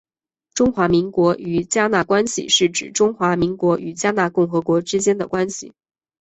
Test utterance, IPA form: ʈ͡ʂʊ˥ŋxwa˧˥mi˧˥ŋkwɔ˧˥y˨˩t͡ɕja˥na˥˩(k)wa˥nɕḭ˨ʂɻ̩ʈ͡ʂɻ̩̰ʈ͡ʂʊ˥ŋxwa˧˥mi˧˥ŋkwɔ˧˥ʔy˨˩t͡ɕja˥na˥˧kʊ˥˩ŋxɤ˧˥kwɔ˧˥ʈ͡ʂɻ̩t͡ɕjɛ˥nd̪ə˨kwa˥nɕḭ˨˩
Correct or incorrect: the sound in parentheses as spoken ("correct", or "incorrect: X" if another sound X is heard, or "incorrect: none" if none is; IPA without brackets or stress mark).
correct